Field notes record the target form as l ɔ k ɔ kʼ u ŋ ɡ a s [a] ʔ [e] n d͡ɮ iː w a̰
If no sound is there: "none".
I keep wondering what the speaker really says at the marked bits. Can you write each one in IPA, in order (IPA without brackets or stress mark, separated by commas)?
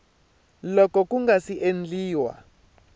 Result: i, e